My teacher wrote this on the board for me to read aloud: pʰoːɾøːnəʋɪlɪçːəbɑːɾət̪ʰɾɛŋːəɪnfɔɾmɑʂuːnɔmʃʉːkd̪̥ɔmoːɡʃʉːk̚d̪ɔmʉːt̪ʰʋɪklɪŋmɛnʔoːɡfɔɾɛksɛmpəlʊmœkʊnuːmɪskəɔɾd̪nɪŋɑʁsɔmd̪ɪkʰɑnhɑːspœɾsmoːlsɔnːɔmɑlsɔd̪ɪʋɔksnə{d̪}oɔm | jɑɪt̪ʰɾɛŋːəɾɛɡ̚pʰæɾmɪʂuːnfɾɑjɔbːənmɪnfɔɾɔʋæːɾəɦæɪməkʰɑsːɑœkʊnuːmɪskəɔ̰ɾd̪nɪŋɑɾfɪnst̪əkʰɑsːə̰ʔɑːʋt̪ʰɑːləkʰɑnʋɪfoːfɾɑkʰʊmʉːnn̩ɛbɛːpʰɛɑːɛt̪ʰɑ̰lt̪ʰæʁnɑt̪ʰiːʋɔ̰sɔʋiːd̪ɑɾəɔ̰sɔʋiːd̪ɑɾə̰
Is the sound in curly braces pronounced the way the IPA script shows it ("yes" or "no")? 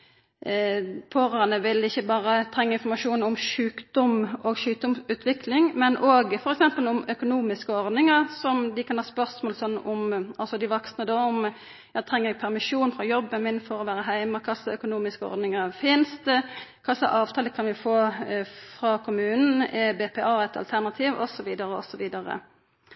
yes